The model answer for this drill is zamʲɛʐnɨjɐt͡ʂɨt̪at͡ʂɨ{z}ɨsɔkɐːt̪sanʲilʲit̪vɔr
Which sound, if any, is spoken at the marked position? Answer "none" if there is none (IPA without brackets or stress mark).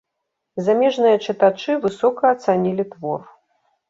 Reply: v